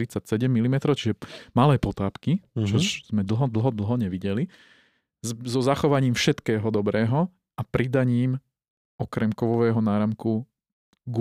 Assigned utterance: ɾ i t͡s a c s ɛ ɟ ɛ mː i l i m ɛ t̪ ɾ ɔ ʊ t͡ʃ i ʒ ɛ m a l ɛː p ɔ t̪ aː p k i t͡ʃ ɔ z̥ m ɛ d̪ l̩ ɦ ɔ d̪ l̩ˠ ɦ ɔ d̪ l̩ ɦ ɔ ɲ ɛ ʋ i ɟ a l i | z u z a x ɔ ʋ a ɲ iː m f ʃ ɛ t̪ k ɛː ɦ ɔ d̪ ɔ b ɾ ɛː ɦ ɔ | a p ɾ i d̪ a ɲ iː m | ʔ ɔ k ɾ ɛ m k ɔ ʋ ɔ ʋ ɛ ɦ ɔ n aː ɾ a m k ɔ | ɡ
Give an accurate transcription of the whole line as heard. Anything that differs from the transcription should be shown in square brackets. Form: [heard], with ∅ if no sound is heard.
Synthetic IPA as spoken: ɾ i t͡s a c s ɛ ɟ ɛ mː i l i m ɛ t̪ ɾ ɔ ʊ t͡ʃ i ʒ ɛ m a l ɛː p ɔ t̪ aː p k i t͡ʃ ɔ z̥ m ɛ d̪ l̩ ɦ ɔ d̪ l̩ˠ ɦ ɔ d̪ l̩ ɦ ɔ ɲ ɛ ʋ i ɟ [ɛ] l i | z [ɔ] z a x ɔ ʋ a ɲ iː m f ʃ ɛ t̪ k ɛː ɦ ɔ d̪ ɔ b ɾ ɛː ɦ ɔ | a p ɾ i d̪ a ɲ iː m | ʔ ɔ k ɾ ɛ m k ɔ ʋ ɔ ʋ [ɛː] ɦ ɔ n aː ɾ a m k [u] | ɡ